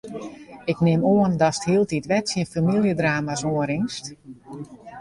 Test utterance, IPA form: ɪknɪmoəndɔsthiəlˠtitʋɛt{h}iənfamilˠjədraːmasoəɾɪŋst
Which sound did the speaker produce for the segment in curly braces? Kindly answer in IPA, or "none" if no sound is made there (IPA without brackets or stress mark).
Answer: s